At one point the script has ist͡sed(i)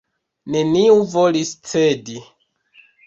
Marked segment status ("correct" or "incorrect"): correct